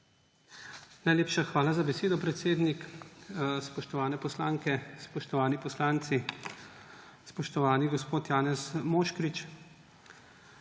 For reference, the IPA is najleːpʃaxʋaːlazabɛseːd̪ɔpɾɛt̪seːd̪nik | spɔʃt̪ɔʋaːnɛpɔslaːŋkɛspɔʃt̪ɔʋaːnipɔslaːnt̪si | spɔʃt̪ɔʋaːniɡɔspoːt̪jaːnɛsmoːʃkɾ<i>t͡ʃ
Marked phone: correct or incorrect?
correct